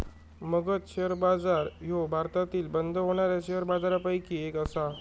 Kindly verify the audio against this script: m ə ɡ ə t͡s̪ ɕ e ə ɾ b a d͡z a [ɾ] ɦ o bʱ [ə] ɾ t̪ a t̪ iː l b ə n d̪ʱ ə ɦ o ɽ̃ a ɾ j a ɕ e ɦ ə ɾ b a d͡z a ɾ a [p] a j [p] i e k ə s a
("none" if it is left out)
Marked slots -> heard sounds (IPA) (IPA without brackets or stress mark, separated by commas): ɾ, a, p, k